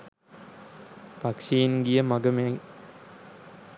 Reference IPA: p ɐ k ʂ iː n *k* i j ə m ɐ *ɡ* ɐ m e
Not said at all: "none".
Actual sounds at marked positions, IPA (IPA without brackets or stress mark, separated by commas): ɡ, ɡ